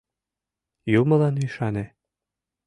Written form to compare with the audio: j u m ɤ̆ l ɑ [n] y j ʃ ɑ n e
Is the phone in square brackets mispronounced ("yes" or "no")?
no